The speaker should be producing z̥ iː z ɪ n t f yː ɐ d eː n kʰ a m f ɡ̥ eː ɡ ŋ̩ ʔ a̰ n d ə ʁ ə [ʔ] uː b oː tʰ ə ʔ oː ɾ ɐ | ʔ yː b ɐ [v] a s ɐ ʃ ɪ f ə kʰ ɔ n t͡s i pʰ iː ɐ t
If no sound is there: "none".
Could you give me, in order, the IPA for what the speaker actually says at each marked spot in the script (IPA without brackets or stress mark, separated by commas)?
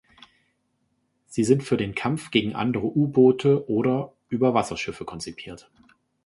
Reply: ʔ, v